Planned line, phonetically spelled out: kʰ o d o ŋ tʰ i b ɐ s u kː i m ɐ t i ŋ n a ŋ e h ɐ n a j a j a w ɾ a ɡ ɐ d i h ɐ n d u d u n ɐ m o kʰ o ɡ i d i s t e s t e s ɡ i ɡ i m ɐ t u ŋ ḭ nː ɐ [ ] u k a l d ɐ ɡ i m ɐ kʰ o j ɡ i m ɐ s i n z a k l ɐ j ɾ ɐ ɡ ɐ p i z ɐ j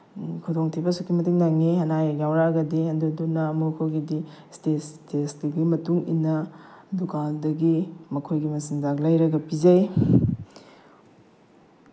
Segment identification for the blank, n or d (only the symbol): d